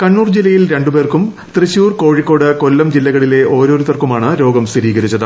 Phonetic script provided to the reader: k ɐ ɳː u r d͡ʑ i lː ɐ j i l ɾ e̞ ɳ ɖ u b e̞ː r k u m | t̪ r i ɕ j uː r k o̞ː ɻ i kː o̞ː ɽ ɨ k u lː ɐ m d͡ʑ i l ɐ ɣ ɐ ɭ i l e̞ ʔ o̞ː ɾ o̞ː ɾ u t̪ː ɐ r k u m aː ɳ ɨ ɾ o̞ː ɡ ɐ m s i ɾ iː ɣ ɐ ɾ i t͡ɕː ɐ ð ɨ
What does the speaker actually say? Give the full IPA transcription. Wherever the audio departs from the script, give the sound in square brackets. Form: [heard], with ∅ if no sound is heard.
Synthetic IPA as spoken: k ɐ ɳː [uː] r d͡ʑ i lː ɐ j i l ɾ e̞ ɳ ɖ u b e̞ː r k u m | t̪ r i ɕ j uː r k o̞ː ɻ i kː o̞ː ɽ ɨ k [o] lː ɐ m d͡ʑ i [lː] ɐ ɣ ɐ ɭ i l e̞ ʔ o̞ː ɾ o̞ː ɾ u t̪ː ɐ r k u m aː ɳ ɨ ɾ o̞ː ɡ ɐ m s i ɾ iː ɣ ɐ ɾ i t͡ɕː ɐ ð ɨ